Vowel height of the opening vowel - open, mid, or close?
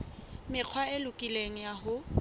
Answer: close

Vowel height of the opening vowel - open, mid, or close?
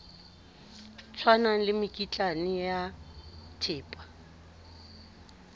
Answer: open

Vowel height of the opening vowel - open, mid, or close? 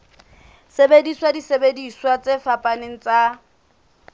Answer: mid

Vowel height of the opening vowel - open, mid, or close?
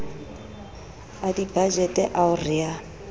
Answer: open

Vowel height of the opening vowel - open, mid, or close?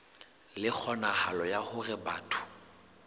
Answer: close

